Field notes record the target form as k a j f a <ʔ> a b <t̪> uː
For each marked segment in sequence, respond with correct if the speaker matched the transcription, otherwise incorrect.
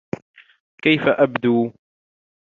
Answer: correct, incorrect: d̪

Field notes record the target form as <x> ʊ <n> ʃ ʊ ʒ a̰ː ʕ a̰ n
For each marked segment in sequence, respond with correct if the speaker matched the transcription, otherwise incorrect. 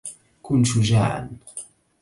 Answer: incorrect: k, correct

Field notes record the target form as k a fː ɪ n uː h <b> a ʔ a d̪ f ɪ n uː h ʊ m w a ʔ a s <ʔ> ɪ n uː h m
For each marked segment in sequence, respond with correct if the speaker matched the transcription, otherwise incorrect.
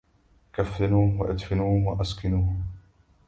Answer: incorrect: w, incorrect: k

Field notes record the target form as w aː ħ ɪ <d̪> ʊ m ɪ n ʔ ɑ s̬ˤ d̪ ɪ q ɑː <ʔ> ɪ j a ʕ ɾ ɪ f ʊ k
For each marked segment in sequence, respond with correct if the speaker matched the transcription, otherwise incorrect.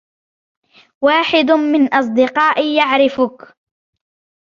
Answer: correct, correct

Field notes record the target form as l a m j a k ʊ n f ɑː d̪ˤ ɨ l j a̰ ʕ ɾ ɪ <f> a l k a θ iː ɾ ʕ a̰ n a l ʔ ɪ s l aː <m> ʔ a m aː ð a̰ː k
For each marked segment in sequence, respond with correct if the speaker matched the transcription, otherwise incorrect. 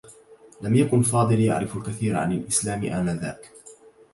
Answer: correct, correct

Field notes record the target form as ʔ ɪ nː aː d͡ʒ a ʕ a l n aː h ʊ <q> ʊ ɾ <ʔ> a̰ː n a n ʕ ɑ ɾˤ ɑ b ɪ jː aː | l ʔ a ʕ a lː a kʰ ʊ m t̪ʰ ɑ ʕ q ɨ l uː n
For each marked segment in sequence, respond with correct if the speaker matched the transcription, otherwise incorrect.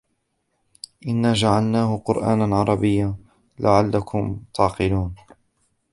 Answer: correct, correct

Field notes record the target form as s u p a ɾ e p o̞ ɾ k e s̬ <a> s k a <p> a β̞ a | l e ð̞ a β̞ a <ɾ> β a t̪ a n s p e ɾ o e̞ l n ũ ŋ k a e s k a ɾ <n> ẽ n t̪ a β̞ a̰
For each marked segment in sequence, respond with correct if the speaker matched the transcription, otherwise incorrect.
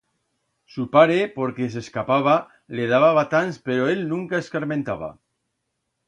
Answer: incorrect: e, correct, incorrect: none, incorrect: m

